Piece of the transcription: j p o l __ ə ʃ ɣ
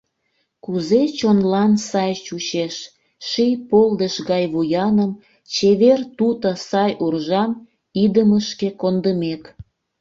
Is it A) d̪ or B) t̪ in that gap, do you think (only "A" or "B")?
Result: A